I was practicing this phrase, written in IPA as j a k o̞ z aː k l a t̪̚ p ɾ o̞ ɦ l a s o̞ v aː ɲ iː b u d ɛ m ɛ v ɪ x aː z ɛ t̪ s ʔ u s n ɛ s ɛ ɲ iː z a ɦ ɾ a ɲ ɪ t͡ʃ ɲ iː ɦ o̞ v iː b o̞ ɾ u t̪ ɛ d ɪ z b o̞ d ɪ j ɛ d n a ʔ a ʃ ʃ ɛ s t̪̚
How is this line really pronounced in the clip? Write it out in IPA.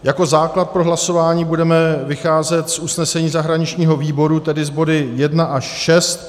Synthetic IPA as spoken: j a k o̞ z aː k l a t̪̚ p ɾ o̞ ɦ l a s o̞ v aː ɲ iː b u d ɛ m ɛ v ɪ x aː z ɛ t̪ s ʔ u s n ɛ s ɛ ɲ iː z a ɦ ɾ a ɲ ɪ t͡ʃ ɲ iː ɦ o̞ v iː b o̞ ɾ u t̪ ɛ d ɪ z b o̞ d ɪ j ɛ d n a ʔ a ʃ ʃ ɛ s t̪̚